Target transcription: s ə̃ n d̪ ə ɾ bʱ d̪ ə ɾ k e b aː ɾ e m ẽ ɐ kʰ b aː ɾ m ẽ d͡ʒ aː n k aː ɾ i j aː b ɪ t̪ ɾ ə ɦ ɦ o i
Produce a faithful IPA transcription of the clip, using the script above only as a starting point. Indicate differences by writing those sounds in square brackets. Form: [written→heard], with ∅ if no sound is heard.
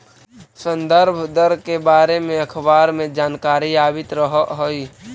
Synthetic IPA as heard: s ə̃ n d̪ ə ɾ bʱ d̪ ə ɾ k e b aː ɾ e m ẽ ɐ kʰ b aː ɾ m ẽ d͡ʒ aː n k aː ɾ i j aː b ɪ t̪ ɾ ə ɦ ɦ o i